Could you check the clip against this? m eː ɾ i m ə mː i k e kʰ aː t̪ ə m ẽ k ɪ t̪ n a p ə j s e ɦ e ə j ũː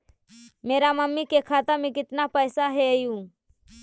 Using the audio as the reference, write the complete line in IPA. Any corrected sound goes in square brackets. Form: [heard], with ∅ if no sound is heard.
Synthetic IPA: m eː ɾ [a] m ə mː i k e kʰ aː t̪ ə m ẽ k ɪ t̪ n a p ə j s [a] ɦ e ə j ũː